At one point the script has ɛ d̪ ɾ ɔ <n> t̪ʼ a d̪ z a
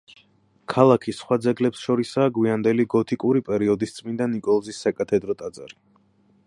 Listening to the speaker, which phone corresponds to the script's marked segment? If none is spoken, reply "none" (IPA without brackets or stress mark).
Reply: none